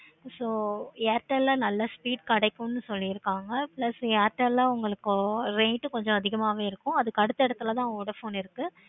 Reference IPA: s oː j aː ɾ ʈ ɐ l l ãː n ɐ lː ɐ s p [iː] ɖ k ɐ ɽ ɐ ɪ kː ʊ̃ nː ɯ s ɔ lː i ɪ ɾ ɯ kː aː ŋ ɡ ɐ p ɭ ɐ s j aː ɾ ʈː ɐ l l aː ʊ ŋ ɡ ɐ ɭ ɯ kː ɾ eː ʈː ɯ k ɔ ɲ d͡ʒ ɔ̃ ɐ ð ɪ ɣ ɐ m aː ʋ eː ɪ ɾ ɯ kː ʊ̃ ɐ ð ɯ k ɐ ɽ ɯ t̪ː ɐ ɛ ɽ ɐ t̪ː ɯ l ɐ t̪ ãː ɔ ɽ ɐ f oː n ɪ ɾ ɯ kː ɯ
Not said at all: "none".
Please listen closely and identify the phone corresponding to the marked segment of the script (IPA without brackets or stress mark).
iː